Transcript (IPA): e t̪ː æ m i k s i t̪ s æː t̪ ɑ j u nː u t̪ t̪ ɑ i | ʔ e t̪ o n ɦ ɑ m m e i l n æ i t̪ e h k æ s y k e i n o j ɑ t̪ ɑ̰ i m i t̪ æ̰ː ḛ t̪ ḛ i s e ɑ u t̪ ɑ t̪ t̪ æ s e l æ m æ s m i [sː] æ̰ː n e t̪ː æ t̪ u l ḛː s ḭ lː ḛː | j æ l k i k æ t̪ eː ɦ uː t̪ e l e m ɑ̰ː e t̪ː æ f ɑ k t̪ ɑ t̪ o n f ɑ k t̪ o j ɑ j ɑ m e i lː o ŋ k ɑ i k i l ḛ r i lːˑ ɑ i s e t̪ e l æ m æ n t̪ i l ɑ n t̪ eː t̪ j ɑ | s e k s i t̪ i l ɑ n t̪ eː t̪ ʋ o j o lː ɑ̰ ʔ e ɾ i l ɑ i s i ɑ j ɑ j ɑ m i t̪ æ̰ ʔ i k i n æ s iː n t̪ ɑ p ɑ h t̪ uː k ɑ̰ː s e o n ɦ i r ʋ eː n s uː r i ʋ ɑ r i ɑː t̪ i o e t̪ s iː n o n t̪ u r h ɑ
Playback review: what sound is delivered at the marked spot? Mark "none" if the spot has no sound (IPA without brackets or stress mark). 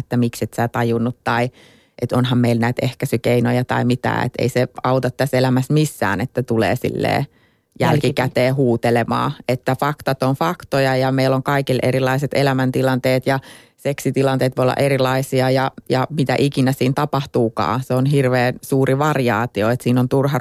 sː